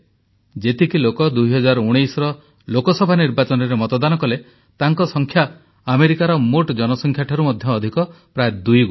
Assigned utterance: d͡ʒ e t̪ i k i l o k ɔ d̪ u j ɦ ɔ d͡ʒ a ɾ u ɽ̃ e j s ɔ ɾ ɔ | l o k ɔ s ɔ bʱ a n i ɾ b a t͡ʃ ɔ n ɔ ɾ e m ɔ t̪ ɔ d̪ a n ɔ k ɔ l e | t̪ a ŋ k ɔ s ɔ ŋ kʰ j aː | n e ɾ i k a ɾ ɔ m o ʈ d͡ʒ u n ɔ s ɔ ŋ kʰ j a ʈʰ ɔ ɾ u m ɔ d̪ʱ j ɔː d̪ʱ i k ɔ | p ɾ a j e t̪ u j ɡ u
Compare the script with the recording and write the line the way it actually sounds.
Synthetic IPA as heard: d͡ʒ e t̪ i k i l o k ɔ d̪ u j ɦ ɔ d͡ʒ a ɾ u ɽ̃ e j s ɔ ɾ ɔ | l o k ɔ s ɔ bʱ a n i ɾ b a t͡ʃ ɔ n ɔ ɾ e m ɔ t̪ ɔ d̪ a n ɔ k ɔ l e | t̪ a ŋ k ɔ s ɔ ŋ kʰ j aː | m e ɾ i k a ɾ ɔ m o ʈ d͡ʒ ɔ n ɔ s ɔ ŋ kʰ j a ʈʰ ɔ ɾ u m ɔ d̪ʱ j ɔː d̪ʱ i k ɔ | p ɾ a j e d̪ u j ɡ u